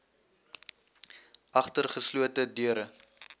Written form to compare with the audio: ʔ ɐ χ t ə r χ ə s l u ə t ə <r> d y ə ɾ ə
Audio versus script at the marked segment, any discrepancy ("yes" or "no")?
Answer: yes